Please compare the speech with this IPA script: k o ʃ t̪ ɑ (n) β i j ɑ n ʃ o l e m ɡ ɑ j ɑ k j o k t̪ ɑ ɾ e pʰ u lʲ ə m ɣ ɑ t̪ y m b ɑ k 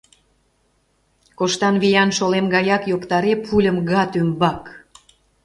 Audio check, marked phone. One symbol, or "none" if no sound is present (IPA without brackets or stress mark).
n